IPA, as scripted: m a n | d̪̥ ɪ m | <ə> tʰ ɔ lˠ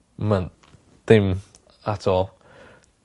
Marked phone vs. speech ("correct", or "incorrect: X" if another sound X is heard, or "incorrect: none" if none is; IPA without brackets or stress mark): incorrect: a